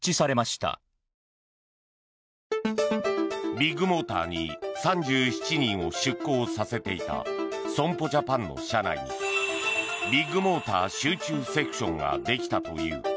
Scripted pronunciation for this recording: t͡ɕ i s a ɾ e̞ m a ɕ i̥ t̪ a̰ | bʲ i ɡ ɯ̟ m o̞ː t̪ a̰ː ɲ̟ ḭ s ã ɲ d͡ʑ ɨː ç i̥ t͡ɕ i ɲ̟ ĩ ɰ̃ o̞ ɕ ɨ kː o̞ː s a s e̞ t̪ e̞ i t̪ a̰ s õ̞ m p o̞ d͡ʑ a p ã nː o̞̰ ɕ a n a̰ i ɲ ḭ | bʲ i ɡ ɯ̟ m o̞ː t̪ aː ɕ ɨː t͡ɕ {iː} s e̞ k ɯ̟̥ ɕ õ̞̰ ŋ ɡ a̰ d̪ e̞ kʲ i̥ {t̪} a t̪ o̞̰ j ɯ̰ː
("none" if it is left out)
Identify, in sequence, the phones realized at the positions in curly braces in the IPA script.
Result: ɨː, t̪

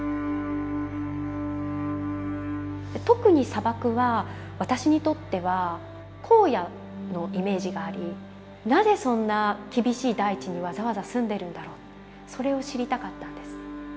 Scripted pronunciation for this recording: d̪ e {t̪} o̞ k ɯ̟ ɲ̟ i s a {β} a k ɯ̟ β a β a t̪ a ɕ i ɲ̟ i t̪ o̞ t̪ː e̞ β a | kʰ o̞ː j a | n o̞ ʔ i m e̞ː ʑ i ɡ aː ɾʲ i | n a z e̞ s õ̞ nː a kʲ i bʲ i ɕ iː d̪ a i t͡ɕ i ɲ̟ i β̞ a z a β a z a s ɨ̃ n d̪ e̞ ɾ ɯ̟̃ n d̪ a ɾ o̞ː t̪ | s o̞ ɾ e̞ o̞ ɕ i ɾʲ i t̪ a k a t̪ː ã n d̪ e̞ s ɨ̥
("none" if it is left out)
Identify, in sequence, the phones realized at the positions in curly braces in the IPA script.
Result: t̪, b

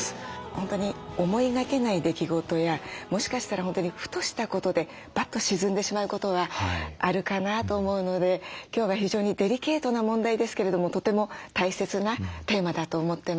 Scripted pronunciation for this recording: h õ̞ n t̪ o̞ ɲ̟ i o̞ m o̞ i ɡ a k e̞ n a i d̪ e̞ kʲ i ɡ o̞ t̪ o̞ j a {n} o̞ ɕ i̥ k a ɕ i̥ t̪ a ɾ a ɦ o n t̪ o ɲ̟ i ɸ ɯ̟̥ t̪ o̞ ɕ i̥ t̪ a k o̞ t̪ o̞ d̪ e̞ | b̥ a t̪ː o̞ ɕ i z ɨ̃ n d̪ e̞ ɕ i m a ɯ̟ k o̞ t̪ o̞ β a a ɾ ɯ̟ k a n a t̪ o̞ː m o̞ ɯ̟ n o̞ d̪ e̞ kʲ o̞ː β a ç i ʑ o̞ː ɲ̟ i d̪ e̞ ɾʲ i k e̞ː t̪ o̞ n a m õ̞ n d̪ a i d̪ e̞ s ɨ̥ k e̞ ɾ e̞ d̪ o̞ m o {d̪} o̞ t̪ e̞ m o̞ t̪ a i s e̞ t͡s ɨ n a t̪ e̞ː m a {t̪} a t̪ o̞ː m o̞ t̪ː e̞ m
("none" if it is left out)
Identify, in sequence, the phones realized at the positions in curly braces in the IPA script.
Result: m, t̪, d̪

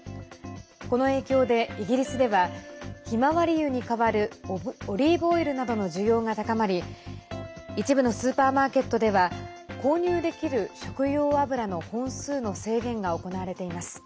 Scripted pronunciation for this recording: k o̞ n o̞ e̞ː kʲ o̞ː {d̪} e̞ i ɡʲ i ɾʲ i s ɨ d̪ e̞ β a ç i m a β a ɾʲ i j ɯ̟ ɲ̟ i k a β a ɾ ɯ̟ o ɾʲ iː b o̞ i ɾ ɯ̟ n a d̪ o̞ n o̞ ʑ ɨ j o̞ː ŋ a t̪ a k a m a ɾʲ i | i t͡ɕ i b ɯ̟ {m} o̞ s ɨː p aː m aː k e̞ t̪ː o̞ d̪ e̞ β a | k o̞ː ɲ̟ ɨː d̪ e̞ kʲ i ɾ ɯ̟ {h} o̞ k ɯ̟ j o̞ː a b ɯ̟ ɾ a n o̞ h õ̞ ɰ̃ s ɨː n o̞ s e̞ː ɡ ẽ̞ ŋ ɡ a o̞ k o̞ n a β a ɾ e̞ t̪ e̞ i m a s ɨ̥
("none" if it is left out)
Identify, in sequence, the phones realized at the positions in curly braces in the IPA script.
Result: d̪, n, ɕ

